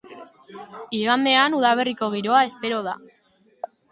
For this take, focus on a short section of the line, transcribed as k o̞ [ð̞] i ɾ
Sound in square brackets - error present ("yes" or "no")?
yes